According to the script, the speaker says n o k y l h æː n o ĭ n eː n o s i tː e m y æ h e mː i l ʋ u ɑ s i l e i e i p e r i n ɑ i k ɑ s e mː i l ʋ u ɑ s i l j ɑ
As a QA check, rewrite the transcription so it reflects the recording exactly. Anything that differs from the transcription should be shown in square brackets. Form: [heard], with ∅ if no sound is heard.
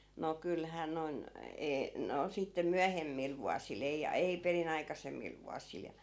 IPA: n o k y l h æː n o ĭ n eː n o s i tː e m y æ h e mː i l ʋ u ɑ s i l e i e i p e r i n ɑ i k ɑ s e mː i l ʋ u ɑ s i l j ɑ